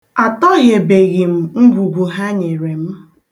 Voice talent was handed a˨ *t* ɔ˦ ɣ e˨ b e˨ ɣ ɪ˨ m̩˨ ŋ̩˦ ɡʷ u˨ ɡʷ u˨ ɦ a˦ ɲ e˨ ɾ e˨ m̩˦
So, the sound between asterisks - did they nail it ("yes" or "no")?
yes